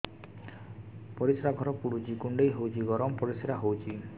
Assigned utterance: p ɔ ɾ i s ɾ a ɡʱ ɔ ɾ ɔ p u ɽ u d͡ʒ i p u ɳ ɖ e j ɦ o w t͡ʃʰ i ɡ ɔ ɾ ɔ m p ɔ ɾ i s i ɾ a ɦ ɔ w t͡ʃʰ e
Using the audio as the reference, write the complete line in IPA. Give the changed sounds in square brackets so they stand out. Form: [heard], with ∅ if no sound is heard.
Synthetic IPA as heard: p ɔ ɾ i s ɾ a ɡʱ ɔ ɾ ɔ p u ɽ u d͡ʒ i [k] u ɳ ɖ e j ɦ o w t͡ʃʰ i ɡ ɔ ɾ ɔ m p ɔ ɾ i s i ɾ a ɦ [o] w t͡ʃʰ [i]